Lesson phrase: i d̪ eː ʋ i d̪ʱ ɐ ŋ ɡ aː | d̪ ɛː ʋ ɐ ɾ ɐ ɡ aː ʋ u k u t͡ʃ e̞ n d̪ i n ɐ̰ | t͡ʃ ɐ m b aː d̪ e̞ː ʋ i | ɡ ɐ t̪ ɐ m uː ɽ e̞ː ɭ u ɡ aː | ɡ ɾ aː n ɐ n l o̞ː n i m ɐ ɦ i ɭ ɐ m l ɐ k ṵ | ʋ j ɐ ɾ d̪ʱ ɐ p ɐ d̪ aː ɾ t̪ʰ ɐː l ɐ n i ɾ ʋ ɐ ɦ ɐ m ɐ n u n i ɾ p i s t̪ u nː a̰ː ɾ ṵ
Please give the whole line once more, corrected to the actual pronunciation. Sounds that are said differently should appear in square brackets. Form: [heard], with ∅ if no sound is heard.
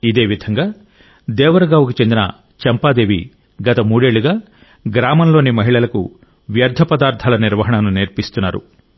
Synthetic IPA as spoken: i d̪ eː ʋ i d̪ʱ ɐ ŋ ɡ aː | d̪ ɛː ʋ ɐ ɾ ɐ ɡ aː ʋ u k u t͡ʃ e̞ n d̪ i n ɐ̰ | t͡ʃ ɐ m [p] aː d̪ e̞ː ʋ i | ɡ ɐ t̪ ɐ m uː ɽ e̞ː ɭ u ɡ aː | ɡ ɾ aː [m] ɐ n l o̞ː n i m ɐ ɦ i ɭ ɐ [∅] l ɐ k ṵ | ʋ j ɐ ɾ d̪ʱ ɐ p ɐ d̪ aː ɾ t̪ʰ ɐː l ɐ n i ɾ ʋ ɐ ɦ ɐ [ɳ] ɐ n u n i ɾ p i s t̪ u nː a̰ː ɾ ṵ

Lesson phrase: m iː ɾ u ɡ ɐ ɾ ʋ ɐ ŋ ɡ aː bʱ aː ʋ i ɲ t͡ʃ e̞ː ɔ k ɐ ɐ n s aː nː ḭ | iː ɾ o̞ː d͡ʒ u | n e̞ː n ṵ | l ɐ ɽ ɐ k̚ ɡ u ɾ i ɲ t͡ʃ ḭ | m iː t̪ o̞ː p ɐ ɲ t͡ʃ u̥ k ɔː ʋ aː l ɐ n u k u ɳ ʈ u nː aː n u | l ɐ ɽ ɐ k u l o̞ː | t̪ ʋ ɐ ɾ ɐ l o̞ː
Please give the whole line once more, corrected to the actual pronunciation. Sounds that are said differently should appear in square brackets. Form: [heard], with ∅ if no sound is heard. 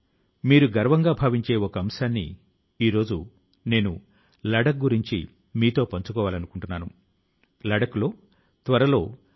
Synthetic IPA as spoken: m iː ɾ u ɡ ɐ ɾ ʋ ɐ ŋ ɡ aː bʱ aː ʋ i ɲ t͡ʃ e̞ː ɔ k ɐ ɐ [m] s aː nː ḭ | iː ɾ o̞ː d͡ʒ u | n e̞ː n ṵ | l ɐ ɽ ɐ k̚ ɡ u ɾ i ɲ t͡ʃ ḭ | m iː t̪ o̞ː p ɐ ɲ t͡ʃ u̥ k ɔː ʋ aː l ɐ n u k u ɳ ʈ u nː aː n u | l ɐ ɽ ɐ k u l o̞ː | t̪ ʋ ɐ ɾ ɐ l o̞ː

